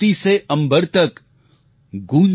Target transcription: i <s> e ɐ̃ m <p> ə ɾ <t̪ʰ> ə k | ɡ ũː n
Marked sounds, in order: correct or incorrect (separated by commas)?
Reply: correct, incorrect, incorrect